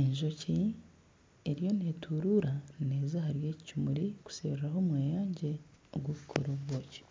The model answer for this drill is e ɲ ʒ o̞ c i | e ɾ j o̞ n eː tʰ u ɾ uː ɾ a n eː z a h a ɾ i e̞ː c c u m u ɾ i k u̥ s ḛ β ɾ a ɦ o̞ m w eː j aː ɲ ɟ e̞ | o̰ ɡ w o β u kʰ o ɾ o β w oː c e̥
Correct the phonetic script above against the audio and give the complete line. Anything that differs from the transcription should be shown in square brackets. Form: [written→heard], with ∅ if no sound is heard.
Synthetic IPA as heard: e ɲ ʒ o̞ c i | e ɾ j o̞ n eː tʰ u ɾ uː ɾ a n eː z a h a ɾ [i→j] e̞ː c c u m u ɾ i k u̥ s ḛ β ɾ a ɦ o̞ m w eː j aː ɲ ɟ e̞ | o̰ ɡ w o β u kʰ o ɾ o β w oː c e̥